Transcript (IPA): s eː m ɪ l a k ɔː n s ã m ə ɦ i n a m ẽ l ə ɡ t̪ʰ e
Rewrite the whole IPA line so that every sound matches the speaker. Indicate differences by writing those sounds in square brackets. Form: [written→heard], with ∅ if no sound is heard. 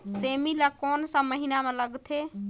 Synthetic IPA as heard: s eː m [ɪ→i] l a k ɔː n s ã m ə ɦ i n a m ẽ l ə ɡ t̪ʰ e

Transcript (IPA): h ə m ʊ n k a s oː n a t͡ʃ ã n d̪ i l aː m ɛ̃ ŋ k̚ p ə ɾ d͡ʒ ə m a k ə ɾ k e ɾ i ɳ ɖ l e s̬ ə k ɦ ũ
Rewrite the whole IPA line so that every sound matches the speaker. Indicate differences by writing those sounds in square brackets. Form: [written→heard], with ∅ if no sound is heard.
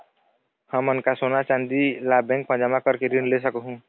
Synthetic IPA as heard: h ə m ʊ n k a s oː n a t͡ʃ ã n d̪ i l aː [m→b] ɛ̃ ŋ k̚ p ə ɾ d͡ʒ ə m a k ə ɾ k e ɾ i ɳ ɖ l e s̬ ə k ɦ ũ

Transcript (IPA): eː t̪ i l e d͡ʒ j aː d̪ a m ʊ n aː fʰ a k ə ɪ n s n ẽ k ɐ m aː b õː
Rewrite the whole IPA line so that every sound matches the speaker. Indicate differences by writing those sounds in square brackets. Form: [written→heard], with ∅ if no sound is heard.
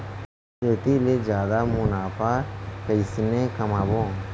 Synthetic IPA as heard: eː t̪ i l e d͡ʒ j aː d̪ a m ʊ n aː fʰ a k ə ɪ [n→∅] s n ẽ k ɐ m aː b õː

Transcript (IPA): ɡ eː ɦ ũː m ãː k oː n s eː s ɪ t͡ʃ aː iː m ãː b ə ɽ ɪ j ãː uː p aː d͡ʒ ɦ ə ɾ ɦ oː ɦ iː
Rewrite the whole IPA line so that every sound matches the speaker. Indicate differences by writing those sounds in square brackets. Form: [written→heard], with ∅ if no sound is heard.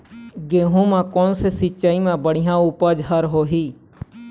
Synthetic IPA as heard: ɡ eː ɦ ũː m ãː k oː n s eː s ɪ t͡ʃ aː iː m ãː b ə ɽ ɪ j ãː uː p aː d͡ʒ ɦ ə ɾ ɦ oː ɦ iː

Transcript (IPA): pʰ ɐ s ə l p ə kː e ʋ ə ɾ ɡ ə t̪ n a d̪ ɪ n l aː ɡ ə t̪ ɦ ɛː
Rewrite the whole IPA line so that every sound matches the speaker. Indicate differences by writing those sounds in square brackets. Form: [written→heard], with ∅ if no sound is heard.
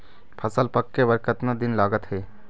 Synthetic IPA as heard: pʰ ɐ s ə l p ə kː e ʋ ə ɾ [ɡ→k] ə t̪ n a d̪ ɪ n l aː ɡ ə t̪ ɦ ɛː

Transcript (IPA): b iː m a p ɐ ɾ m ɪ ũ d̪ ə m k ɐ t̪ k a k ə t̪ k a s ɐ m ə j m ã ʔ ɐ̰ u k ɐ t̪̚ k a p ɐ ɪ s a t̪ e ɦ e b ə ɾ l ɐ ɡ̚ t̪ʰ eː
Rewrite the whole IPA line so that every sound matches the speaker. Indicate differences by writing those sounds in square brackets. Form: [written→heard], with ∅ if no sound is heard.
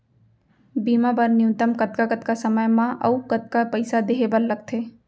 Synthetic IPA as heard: b iː m a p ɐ ɾ [m→n] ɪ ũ [d̪→t̪] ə m k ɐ t̪ k a k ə t̪ k a s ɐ m ə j m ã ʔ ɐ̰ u k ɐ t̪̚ k a p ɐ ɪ s a [t̪→d̪] e ɦ e b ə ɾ l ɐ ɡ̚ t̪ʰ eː

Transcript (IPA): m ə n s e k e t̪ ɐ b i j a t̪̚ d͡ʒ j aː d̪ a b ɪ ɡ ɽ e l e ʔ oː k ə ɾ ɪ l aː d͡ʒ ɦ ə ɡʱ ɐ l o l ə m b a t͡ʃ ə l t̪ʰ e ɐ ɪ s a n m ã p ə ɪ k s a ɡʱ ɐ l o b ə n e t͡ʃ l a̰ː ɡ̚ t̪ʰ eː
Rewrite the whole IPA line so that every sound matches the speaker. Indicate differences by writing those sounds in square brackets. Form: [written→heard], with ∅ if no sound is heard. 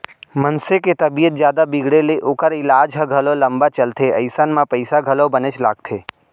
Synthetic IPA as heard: m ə n s e k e t̪ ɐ b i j [a→ə] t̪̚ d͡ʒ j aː d̪ a b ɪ ɡ ɽ e l e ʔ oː k ə ɾ ɪ l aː d͡ʒ ɦ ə ɡʱ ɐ l o l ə m b a t͡ʃ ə l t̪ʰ e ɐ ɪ s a n m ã p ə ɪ [k→∅] s a ɡʱ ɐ l o b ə n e t͡ʃ l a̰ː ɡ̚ t̪ʰ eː

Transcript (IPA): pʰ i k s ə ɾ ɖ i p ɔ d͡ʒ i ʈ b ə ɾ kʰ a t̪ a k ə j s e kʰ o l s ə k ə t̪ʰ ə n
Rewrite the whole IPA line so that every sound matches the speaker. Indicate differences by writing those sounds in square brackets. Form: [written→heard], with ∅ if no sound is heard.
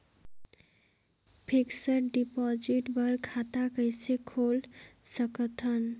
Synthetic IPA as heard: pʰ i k s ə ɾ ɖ i p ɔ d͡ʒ i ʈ b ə ɾ kʰ a t̪ a k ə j s e kʰ o l s ə k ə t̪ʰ ə n

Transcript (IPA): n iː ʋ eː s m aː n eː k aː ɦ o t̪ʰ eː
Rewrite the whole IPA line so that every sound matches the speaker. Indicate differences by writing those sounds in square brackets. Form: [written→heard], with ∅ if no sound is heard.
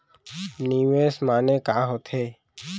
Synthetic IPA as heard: n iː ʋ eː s m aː n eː k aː ɦ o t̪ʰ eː

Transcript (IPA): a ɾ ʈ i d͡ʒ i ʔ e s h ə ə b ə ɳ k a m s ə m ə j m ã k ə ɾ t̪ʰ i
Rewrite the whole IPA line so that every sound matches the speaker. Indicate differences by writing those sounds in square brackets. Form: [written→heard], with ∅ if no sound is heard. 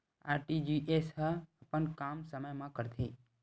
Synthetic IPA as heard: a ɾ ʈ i d͡ʒ i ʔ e s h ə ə [b→p] ə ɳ k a m s ə m ə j m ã k ə ɾ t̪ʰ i

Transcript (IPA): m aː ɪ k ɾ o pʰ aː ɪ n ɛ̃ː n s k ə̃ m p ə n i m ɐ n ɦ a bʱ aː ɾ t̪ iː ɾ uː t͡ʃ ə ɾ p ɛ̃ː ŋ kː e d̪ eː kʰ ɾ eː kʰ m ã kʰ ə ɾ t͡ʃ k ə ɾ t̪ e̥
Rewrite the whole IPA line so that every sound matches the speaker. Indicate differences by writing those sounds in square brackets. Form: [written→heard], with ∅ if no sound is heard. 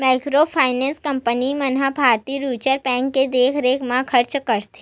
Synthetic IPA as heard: m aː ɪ k ɾ o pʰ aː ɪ n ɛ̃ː n s k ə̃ m p ə n i m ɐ n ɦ a bʱ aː ɾ t̪ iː ɾ uː t͡ʃ ə ɾ p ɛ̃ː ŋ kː e d̪ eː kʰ ɾ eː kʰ m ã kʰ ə ɾ t͡ʃ k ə ɾ t̪ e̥

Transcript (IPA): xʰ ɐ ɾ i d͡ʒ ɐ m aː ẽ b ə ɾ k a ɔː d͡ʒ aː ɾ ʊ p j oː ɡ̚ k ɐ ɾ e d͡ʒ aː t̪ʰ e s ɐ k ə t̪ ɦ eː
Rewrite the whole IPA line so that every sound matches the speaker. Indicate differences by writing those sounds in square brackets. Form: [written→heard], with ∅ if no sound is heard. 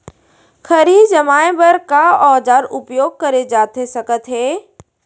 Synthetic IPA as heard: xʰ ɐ ɾ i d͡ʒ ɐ m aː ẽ b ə ɾ k a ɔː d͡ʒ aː ɾ ʊ p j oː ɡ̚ k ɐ ɾ e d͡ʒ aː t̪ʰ e s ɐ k ə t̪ ɦ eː

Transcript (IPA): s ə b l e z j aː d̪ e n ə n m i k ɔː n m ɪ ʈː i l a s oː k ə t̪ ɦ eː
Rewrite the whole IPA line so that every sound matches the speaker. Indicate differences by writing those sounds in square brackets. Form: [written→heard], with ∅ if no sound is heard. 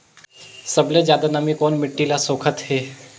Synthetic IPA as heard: s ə b l e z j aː d̪ [e→a] n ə [n→∅] m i k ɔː n m ɪ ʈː i l a s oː [k→kʰ] ə t̪ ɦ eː

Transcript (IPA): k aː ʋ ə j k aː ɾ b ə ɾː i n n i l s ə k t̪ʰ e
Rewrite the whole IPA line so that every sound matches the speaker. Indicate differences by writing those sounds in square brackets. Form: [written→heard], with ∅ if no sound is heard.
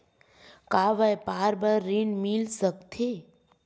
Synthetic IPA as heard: k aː ʋ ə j [k→p] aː ɾ b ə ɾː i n [n→m] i l s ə k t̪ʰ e

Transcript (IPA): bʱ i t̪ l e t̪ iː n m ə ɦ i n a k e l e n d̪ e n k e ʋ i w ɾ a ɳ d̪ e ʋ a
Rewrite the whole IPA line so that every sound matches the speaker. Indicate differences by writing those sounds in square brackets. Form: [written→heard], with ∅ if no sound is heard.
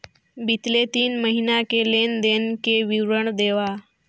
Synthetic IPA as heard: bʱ i t̪ l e t̪ iː n m ə ɦ i n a k e l e n d̪ e n k e ʋ i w ɾ [a→ə] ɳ d̪ e ʋ a

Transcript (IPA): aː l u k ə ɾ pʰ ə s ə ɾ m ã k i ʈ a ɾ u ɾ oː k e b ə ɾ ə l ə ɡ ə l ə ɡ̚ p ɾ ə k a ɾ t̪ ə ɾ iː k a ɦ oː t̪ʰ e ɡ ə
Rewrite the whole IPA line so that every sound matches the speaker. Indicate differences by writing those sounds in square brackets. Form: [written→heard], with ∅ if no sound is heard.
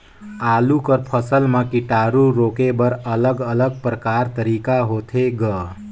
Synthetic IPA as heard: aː l u k ə ɾ pʰ ə s ə [ɾ→l] m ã k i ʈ a ɾ u ɾ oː k e b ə ɾ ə l ə ɡ ə l ə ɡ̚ p ɾ ə k a ɾ t̪ ə ɾ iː k a ɦ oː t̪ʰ e ɡ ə

